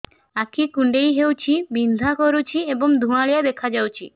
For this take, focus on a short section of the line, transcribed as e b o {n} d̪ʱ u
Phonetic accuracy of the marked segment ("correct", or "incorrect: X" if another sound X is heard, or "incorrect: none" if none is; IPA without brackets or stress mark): incorrect: ŋ